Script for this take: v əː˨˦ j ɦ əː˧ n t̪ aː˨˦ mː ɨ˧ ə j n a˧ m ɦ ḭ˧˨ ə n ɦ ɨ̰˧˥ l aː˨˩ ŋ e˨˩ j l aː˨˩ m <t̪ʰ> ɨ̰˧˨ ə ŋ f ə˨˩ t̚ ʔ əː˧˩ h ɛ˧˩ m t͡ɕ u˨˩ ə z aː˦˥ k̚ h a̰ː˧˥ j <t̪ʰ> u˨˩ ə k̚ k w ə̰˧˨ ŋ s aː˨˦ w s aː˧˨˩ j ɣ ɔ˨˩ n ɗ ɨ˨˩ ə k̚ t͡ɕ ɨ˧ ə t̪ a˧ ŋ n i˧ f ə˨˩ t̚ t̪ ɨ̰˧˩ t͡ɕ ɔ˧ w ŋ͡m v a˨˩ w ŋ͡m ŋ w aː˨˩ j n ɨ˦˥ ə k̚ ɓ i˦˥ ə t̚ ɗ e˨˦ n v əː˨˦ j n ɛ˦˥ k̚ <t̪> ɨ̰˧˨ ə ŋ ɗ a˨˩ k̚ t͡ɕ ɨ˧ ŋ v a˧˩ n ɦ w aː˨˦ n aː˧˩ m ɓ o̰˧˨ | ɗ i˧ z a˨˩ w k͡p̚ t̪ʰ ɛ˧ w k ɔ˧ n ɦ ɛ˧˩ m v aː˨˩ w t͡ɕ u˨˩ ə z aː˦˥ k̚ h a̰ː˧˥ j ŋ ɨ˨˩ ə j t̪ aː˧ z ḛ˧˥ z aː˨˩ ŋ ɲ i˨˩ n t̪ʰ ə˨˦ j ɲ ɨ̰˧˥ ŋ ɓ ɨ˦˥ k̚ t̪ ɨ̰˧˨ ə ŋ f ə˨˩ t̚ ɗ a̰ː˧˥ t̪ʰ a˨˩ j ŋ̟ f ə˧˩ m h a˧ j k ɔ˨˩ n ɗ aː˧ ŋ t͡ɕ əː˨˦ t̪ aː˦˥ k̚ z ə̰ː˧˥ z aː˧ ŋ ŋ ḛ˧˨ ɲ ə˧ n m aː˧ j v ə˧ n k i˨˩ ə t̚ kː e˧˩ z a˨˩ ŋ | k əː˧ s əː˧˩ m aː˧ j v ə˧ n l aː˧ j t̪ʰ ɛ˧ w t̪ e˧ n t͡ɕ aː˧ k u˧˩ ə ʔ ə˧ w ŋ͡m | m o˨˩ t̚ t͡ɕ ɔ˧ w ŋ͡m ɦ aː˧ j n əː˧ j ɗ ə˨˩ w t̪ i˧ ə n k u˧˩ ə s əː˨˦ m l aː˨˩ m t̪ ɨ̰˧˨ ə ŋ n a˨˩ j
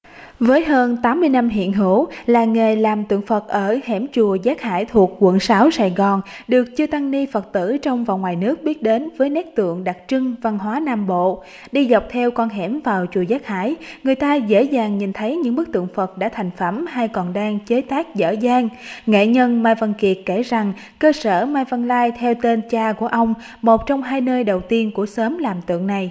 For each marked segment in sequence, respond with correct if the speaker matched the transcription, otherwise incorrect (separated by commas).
incorrect, correct, correct